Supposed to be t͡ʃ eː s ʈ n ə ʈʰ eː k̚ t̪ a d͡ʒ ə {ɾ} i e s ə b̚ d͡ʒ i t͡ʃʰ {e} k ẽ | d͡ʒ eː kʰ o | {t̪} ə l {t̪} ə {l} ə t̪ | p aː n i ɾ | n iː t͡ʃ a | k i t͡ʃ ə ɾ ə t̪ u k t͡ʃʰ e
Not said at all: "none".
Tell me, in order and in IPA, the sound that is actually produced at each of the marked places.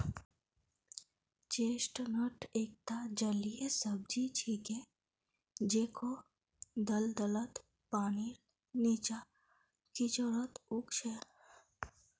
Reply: l, i, d̪, d̪, l

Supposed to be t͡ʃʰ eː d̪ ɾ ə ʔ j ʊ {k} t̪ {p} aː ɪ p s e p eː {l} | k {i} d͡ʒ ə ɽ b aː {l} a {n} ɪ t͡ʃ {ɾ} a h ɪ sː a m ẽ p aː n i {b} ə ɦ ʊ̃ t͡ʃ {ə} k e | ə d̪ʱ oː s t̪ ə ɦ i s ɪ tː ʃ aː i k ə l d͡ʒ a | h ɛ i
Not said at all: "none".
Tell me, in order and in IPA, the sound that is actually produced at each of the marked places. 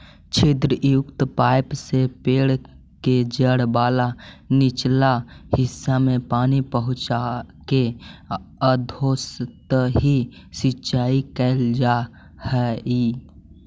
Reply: k, p, ɽ, e, l, n, l, p, a

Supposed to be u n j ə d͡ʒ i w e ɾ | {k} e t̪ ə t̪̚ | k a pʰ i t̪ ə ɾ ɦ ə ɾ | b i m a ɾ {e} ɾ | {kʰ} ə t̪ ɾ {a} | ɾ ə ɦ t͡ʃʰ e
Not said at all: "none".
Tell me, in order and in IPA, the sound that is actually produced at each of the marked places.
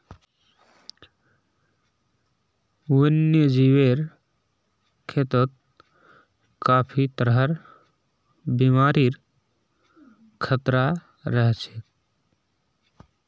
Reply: kʰ, i, kʰ, a

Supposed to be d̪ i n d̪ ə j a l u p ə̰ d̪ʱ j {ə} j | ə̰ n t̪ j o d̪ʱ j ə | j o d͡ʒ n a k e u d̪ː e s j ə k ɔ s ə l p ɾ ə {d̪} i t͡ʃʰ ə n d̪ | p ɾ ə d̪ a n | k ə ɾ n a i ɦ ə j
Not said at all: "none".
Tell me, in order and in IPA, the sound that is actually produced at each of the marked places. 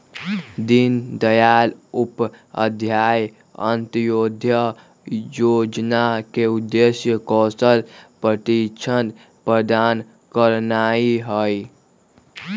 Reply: a, t̪

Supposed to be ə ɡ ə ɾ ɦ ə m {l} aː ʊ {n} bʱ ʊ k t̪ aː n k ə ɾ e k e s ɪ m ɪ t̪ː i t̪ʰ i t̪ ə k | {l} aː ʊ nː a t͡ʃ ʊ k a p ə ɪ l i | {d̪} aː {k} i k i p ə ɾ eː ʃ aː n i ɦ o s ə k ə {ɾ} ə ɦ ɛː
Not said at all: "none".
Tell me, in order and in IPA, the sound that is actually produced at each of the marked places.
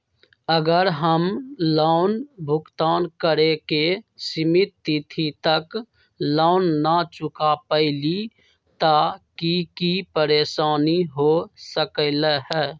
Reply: l, n, l, t̪, k, l

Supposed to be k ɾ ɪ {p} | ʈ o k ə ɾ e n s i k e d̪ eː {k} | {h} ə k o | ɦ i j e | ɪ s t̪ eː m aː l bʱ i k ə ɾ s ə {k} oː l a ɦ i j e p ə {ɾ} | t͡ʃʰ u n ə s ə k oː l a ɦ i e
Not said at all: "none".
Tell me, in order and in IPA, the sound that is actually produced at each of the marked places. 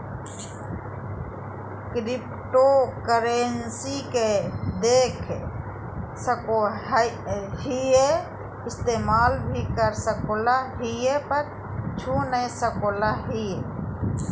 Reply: p, kʰ, s, k, ɾ

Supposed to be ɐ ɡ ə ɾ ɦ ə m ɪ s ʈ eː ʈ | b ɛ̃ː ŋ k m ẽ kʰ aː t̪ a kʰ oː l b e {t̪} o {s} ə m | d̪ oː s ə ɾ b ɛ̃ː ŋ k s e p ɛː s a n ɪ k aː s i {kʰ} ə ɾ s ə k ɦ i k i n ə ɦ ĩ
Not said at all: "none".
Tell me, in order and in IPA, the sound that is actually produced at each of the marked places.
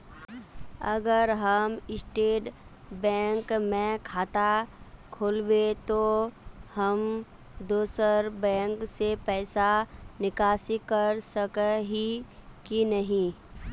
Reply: t̪, h, k

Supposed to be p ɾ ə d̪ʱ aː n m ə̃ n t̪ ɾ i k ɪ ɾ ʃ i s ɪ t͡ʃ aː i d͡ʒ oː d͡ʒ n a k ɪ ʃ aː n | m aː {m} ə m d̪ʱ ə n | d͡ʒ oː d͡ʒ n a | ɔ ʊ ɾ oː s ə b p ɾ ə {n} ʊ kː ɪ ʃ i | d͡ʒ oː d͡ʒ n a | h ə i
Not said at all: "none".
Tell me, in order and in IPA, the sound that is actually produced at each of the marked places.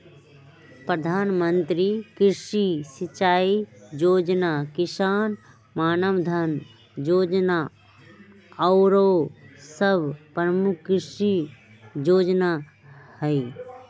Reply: n, m

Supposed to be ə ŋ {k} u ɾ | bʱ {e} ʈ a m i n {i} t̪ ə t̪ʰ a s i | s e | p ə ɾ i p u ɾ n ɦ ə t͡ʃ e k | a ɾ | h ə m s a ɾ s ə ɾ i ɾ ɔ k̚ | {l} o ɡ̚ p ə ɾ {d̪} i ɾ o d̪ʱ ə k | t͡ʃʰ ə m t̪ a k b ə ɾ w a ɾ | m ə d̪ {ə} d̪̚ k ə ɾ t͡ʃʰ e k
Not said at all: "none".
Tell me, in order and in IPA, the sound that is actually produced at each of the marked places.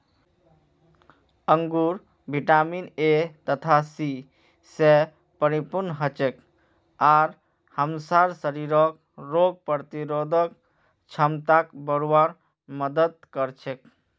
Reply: ɡ, i, e, ɾ, t̪, ə

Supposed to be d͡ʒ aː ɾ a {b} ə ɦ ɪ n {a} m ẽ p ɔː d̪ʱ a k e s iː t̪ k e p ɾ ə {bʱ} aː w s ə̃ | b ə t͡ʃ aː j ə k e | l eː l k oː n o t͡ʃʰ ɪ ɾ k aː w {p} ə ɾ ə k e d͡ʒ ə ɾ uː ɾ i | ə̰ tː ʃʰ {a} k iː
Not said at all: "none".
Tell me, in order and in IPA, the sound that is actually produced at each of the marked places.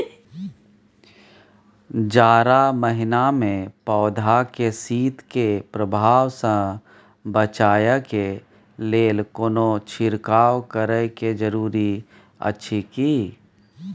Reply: m, a, bʱ, k, i

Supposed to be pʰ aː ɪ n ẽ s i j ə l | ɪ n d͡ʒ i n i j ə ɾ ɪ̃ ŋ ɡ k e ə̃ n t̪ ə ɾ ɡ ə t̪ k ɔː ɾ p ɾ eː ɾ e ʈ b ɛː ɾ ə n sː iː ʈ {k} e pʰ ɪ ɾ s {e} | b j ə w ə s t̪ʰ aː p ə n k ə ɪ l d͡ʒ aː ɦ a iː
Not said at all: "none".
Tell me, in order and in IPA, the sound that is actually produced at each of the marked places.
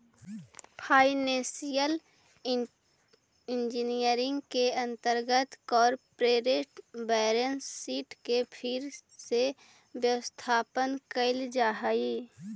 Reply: k, e

